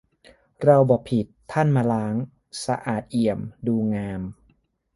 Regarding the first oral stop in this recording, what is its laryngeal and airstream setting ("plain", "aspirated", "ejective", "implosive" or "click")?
plain